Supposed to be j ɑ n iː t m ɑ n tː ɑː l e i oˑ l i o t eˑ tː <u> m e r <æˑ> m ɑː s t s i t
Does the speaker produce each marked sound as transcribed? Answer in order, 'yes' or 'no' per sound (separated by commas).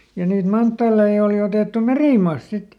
yes, no